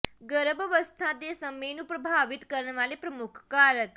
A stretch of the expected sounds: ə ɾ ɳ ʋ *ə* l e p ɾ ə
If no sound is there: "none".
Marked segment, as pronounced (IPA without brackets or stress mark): a